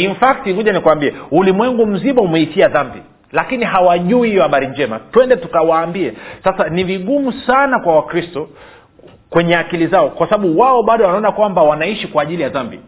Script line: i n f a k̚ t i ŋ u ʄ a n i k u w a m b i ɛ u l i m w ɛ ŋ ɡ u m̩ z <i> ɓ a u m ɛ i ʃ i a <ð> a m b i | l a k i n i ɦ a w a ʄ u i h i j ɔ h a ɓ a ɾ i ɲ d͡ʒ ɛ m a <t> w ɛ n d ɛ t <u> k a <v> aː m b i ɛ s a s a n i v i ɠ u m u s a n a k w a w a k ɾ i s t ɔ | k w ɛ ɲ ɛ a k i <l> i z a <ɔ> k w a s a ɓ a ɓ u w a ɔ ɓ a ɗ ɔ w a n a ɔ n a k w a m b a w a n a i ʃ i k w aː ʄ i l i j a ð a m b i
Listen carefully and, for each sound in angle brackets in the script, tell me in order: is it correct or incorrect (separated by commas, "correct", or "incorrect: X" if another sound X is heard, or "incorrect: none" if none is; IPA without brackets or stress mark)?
correct, correct, correct, correct, incorrect: w, correct, correct